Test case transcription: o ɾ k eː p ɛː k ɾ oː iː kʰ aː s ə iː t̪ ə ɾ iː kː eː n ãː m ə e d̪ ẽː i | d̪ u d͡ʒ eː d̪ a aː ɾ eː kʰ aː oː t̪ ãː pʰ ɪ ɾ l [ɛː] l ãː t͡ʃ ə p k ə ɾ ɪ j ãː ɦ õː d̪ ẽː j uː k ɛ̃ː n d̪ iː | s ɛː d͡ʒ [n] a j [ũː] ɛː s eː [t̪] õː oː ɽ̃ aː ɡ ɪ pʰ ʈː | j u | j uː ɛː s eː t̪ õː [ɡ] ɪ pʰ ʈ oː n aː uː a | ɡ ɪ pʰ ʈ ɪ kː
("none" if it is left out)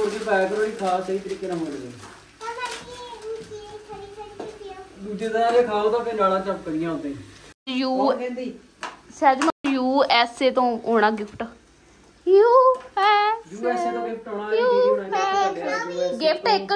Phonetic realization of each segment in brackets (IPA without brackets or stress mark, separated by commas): aː, m, uː, t̪, ɡ